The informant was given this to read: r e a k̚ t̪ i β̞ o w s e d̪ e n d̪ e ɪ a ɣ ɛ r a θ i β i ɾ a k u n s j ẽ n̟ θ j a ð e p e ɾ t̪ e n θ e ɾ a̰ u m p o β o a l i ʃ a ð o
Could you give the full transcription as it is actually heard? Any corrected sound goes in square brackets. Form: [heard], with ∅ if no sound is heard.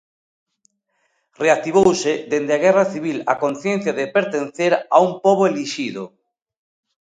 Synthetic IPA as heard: r e a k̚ t̪ i β̞ o w s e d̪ e n d̪ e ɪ a ɣ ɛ r a θ i β i [l] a k [o] n [θ] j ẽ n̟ θ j a ð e p e ɾ t̪ e n θ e ɾ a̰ u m p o β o [e] l i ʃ [i] ð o